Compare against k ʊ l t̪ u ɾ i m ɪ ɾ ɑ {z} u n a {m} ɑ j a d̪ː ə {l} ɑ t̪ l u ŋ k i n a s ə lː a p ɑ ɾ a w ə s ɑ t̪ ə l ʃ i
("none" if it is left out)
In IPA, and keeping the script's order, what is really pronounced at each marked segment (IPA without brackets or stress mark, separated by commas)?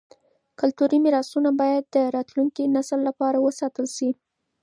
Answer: s, b, ɾ